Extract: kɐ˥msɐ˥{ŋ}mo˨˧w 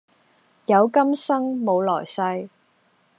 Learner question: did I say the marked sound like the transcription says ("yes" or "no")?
yes